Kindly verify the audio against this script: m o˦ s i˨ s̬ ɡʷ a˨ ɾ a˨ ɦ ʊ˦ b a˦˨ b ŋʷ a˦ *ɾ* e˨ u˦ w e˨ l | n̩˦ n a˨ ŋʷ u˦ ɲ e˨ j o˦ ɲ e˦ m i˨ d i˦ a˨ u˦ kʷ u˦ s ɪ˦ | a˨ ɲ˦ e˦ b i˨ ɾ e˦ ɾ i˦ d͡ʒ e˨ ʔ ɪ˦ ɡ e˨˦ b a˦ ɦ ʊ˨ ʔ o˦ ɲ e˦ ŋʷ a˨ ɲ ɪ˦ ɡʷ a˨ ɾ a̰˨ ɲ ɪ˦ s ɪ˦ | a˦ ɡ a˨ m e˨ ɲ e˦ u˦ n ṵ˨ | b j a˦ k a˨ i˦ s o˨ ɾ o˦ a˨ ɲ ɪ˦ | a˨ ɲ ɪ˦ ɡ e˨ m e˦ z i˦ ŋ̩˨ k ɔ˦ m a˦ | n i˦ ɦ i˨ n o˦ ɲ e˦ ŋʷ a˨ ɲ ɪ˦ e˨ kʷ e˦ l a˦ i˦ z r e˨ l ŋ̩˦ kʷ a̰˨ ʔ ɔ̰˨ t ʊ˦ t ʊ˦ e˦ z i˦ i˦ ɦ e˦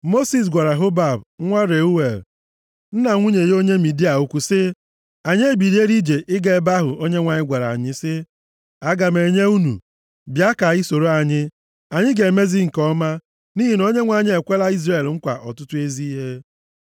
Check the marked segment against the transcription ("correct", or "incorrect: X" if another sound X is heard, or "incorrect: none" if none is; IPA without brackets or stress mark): correct